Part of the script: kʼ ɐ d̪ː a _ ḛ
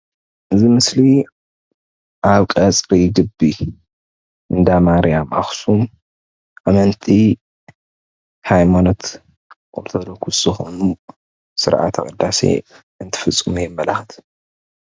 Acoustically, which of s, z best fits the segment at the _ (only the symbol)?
s